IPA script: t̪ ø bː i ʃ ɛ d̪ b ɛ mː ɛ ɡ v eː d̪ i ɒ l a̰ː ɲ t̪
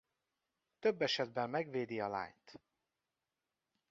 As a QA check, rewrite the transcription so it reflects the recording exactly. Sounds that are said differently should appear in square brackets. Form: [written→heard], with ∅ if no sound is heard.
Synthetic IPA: t̪ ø bː [i→ɛ] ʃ ɛ d̪ b ɛ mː ɛ ɡ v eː d̪ i ɒ l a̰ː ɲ t̪